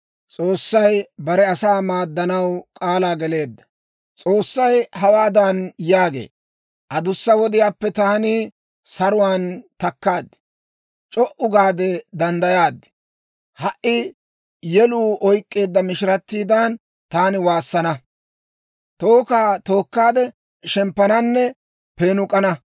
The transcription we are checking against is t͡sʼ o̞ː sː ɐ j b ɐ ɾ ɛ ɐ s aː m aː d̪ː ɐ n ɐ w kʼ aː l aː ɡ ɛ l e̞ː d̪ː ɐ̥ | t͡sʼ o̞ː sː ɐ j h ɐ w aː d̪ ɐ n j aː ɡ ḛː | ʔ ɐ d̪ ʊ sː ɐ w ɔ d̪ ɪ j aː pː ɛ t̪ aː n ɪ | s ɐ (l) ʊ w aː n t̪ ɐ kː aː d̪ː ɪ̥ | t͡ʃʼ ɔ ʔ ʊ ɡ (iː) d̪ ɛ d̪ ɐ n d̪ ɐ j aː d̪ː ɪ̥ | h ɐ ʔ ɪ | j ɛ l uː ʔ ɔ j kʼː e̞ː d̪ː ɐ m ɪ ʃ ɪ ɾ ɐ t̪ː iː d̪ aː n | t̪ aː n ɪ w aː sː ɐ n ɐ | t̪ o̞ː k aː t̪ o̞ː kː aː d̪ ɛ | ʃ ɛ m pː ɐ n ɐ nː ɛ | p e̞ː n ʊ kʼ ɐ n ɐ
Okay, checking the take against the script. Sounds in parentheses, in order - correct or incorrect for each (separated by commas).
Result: incorrect, incorrect